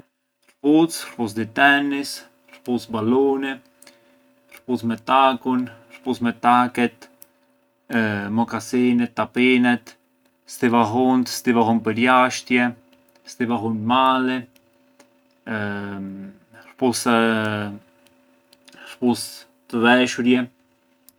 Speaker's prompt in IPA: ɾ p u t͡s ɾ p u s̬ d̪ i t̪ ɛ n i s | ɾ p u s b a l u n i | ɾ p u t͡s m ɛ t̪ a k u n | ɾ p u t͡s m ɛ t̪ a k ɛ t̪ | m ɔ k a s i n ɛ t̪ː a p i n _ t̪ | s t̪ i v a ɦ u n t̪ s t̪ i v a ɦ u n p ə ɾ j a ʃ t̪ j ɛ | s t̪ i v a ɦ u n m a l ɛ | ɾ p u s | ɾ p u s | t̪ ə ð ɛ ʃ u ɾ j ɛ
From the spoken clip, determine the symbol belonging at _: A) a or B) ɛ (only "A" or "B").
B